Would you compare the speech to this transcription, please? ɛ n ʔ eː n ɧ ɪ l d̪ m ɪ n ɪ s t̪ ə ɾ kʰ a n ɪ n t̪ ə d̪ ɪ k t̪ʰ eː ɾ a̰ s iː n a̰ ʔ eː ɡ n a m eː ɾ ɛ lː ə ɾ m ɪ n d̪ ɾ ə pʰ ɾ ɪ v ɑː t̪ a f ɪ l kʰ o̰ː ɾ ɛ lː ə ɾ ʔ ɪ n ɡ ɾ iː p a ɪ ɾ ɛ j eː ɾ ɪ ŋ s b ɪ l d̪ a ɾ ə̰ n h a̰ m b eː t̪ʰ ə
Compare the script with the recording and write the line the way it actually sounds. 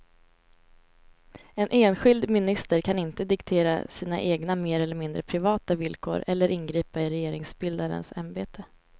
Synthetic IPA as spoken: ɛ n ʔ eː n ɧ ɪ l d̪ m ɪ n ɪ s t̪ ə ɾ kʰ a n ɪ n t̪ ə d̪ ɪ k t̪ʰ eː ɾ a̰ s iː n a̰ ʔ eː ɡ n a m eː ɾ ɛ lː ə ɾ m ɪ n d̪ ɾ ə pʰ ɾ ɪ v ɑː t̪ a v ɪ l kʰ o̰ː ɾ ɛ lː ə ɾ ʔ ɪ n ɡ ɾ iː p a ɪ ɾ ɛ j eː ɾ ɪ ŋ s b ɪ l d̪ a ɾ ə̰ n s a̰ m b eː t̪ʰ ə